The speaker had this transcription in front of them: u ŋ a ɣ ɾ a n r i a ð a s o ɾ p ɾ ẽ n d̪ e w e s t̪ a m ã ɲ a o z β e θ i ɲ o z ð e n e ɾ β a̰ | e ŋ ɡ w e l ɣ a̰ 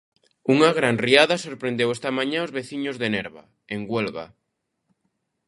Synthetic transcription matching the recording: u ŋ a ɣ ɾ a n r i a ð a s o ɾ p ɾ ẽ n d̪ e w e s t̪ a m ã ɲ a o z β e θ i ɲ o z ð e n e ɾ β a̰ | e ŋ ɡ w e l ɣ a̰